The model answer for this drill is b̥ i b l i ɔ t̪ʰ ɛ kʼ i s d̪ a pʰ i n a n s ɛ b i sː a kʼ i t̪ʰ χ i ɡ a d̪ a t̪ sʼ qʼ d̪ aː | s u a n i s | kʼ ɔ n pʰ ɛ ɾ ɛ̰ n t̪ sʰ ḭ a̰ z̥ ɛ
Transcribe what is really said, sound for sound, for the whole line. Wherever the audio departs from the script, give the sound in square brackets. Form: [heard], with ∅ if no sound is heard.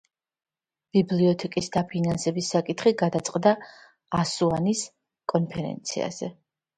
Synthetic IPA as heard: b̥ i b l i ɔ t̪ʰ ɛ kʼ i s d̪ a pʰ i n a n s ɛ b i sː a kʼ i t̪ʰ χ i ɡ a d̪ a t̪ sʼ qʼ d̪ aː | s u a n i s | kʼ ɔ n pʰ ɛ ɾ ɛ̰ n t̪ sʰ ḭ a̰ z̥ ɛ